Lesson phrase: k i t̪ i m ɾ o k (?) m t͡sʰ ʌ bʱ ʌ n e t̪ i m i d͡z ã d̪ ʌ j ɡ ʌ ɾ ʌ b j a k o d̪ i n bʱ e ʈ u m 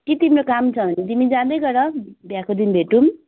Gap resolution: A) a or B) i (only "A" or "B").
A